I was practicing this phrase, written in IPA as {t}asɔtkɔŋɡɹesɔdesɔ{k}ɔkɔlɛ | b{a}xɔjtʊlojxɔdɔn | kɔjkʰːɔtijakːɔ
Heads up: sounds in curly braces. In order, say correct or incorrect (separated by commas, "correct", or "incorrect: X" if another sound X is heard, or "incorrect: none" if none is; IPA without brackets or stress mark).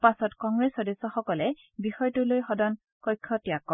incorrect: p, incorrect: x, incorrect: i